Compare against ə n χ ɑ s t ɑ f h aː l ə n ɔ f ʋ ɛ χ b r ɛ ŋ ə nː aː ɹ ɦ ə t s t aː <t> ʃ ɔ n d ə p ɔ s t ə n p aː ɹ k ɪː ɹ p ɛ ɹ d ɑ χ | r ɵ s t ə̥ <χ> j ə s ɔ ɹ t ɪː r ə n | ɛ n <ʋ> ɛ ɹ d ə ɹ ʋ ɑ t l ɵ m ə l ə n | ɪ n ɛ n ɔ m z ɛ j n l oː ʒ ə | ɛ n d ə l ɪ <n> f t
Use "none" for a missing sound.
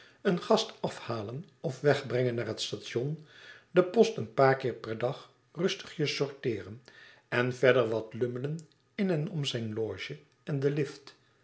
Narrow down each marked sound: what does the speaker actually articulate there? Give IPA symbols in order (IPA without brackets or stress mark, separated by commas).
t, χ, v, none